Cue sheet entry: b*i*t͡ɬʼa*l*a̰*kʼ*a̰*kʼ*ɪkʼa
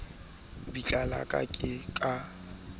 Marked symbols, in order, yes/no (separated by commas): yes, yes, yes, yes